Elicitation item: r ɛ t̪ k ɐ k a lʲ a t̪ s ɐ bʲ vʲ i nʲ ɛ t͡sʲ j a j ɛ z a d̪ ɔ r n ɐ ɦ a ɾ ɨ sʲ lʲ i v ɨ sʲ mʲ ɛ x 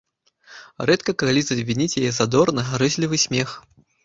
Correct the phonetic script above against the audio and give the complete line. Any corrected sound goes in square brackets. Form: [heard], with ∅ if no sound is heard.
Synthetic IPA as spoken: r ɛ t̪ k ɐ k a lʲ [i] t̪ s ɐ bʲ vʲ i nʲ [i] t͡sʲ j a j ɛ z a d̪ ɔ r n ɐ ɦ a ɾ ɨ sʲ lʲ i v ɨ sʲ mʲ ɛ x